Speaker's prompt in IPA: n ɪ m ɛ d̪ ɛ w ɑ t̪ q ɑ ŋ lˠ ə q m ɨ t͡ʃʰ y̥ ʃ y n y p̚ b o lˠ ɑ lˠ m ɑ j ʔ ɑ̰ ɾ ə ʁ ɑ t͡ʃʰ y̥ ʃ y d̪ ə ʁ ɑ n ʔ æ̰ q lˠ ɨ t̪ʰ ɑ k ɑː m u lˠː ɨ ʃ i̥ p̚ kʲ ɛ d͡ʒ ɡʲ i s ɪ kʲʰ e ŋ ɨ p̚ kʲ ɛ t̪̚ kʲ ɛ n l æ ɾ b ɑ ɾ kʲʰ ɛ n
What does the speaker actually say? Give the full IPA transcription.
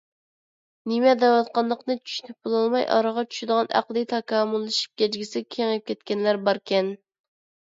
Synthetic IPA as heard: n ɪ m ɛ d̪ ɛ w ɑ t̪ q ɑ n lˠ ə q n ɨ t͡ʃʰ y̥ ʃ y n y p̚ b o lˠ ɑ lˠ m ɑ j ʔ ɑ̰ ɾ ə ʁ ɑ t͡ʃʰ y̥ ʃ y d̪ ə ʁ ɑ n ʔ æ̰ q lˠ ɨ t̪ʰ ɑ k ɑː m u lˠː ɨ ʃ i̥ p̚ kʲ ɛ d͡ʒ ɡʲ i s ɪ kʲʰ e ŋ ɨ p̚ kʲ ɛ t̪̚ kʲ ɛ n l æ ɾ b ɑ ɾ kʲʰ ɛ n

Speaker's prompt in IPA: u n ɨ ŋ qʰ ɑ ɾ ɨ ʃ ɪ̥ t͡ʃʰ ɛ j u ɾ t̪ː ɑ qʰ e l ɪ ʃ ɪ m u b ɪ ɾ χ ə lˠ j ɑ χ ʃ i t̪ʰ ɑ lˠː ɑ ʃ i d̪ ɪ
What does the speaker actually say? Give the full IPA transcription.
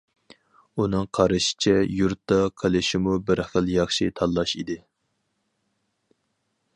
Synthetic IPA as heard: u n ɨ ŋ qʰ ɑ ɾ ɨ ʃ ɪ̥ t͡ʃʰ ɛ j u ɾ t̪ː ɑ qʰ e l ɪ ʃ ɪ m u b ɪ ɾ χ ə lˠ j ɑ χ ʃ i t̪ʰ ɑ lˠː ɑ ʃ i d̪ ɪ

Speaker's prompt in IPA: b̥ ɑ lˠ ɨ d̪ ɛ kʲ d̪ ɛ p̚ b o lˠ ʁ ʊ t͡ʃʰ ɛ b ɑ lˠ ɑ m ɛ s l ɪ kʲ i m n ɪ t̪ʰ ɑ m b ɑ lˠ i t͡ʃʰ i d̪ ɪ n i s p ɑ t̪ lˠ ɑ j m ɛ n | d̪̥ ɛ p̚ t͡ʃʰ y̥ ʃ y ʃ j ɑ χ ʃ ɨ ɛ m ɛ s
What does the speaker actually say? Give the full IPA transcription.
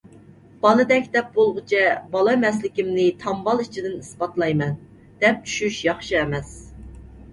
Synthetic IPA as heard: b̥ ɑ lˠ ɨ d̪ ɛ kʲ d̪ ɛ p̚ b o lˠ ʁ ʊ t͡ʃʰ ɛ b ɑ lˠ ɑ m ɛ s l ɪ kʲ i m n ɪ t̪ʰ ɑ m b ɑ lˠ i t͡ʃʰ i d̪ ɪ n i s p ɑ t̪ lˠ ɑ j m ɛ n | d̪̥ ɛ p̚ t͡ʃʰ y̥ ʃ y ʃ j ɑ χ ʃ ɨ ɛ m ɛ s

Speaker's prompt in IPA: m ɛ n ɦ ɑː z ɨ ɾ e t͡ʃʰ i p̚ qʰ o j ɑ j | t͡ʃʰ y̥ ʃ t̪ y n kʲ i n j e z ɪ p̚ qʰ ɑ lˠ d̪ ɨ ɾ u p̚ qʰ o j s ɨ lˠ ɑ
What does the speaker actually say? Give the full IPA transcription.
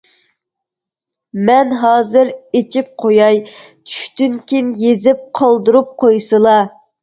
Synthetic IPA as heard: m ɛ n ɦ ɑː z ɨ ɾ e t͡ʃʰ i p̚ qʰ o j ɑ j | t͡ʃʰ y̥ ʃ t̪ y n kʲ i n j e z ɪ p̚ qʰ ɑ lˠ d̪ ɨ ɾ u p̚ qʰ o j s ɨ lˠ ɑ

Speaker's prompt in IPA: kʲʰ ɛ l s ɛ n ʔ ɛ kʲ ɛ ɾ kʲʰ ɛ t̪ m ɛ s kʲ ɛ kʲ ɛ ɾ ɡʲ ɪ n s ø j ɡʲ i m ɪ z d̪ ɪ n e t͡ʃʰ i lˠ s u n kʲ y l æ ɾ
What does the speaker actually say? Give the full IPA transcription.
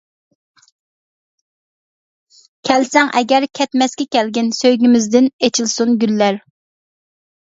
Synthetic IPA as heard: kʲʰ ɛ l s ɛ ŋ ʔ ɛ ɡʲ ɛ ɾ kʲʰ ɛ t̪ m ɛ s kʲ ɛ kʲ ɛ l ɡʲ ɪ n s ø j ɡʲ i m ɪ z d̪ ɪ n e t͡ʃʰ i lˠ s u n ɡʲ y lː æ ɾ

